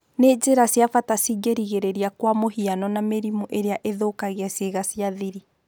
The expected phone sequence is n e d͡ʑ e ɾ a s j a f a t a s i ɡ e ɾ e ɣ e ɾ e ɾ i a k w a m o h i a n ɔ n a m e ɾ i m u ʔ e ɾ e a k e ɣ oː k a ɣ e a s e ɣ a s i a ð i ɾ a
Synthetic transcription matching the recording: n e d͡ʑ e ɾ a s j a f a t a s i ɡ e ɾ i ɣ e ɾ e ɾ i a k w a m o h i a n ɔ n a m e ɾ i m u ʔ e ɾ e a ʔ e ð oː k a ɣ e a s e ɣ a s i a ð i ɾ i